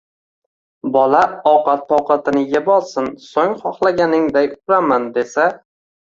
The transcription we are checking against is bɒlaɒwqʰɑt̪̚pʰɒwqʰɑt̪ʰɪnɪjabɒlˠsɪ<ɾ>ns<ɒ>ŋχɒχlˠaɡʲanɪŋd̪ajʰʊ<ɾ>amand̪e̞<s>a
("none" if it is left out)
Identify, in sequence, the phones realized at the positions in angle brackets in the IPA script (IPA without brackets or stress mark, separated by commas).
none, o, ɾ, s